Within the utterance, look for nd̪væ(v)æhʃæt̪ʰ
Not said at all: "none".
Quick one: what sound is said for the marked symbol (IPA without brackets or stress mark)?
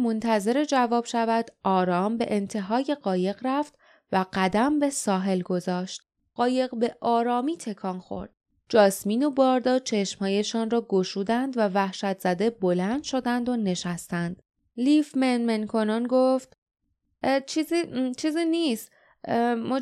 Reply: v